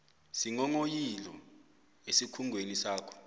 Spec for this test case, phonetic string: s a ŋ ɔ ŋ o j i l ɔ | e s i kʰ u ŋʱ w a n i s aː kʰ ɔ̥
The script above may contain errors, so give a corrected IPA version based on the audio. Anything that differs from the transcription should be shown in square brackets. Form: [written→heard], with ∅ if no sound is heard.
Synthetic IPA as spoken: s [a→i] ŋ ɔ ŋ o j i l ɔ | e s i kʰ u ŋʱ w [a→e] n i s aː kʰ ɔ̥

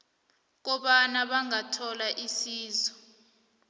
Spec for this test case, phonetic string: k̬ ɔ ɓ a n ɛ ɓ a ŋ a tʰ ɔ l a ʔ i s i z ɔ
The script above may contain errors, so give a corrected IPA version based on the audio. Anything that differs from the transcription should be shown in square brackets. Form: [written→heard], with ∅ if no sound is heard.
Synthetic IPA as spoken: k̬ ɔ ɓ a n [ɛ→a] ɓ a ŋ a tʰ ɔ l a ʔ i s [i→iː] z ɔ

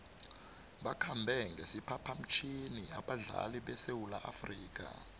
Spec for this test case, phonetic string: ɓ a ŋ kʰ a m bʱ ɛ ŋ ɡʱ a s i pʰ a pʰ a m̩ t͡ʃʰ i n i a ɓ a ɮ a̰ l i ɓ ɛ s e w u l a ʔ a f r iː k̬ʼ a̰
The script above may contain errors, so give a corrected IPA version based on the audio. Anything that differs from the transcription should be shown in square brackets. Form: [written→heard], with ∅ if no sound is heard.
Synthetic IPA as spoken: ɓ a [ŋ→∅] kʰ a m bʱ ɛ ŋ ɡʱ [a→e] s i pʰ a pʰ a m̩ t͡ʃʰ i n i a ɓ a ɮ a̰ l i ɓ ɛ s e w u l a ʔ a f r iː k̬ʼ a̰

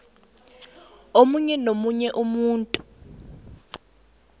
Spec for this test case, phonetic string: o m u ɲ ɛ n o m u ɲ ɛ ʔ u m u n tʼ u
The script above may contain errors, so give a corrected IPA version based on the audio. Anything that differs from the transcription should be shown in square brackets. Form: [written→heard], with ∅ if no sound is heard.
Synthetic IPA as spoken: o m u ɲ ɛ n o m u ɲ ɛ ʔ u m [u→uː] n tʼ u

